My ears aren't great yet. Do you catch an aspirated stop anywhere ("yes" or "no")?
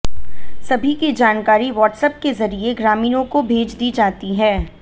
no